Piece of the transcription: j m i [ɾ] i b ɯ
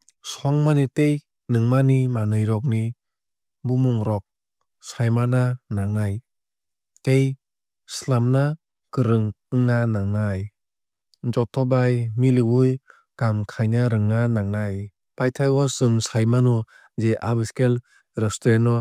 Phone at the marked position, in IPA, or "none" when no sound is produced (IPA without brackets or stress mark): l